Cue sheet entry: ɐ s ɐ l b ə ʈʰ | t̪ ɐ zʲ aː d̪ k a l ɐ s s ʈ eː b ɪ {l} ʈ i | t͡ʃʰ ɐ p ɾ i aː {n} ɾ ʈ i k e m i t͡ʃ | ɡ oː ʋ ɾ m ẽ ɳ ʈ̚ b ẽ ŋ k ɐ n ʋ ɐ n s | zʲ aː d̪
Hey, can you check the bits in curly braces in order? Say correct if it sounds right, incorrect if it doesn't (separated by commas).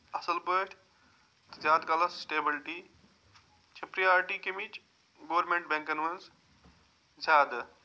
correct, incorrect